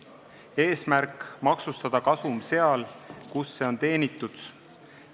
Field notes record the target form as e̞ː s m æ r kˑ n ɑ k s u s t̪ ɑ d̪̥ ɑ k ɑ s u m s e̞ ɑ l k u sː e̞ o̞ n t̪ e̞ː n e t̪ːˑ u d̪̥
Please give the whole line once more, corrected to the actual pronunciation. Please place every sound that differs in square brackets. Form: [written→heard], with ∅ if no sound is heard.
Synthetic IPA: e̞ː s m æ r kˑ [n→m] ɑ k s u s t̪ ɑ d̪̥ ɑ k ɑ s u m s e̞ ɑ l k u sː e̞ o̞ n t̪ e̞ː n [e→i] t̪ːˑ u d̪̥